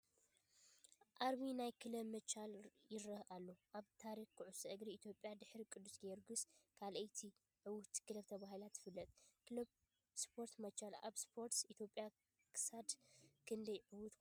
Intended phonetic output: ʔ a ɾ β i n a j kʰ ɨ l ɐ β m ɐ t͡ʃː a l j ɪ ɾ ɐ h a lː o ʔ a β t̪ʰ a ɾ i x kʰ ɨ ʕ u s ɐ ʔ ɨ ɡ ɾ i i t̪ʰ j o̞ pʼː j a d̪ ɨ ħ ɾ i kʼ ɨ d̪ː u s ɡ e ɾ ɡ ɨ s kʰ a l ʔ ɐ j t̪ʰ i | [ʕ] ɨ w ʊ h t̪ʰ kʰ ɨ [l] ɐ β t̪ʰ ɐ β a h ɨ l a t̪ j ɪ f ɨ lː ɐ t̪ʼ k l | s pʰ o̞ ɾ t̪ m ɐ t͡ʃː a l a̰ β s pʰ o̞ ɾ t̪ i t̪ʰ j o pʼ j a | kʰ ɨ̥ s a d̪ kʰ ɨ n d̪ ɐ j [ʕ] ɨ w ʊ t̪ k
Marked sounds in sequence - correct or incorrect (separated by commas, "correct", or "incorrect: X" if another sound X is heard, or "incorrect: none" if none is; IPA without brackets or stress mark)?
correct, correct, correct